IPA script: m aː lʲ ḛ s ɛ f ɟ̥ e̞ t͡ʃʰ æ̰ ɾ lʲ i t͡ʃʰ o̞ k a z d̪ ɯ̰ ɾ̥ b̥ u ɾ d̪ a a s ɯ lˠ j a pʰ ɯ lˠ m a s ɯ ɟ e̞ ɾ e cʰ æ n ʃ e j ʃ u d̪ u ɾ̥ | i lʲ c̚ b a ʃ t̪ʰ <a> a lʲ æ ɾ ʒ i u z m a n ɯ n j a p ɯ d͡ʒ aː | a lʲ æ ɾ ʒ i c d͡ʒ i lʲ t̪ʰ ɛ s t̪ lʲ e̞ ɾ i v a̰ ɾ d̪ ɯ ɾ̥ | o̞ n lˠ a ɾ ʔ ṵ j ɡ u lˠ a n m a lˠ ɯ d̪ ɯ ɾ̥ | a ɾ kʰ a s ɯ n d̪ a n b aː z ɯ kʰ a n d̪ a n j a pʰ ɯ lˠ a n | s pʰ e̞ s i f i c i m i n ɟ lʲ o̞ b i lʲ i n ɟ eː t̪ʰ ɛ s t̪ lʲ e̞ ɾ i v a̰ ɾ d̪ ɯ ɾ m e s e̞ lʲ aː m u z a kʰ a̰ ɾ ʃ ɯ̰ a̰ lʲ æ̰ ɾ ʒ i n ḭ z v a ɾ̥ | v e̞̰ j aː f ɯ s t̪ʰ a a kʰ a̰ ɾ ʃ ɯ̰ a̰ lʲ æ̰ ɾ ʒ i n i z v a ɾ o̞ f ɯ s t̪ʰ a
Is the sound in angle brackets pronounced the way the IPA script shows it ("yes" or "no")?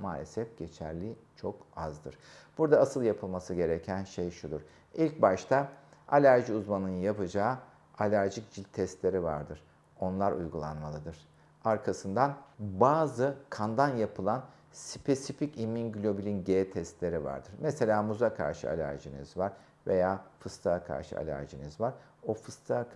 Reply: yes